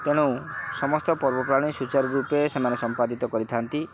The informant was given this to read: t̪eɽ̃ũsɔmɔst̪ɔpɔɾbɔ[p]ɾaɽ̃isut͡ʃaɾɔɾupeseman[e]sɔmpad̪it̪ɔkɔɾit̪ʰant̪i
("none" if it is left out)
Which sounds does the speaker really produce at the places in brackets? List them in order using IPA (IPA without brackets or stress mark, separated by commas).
p, e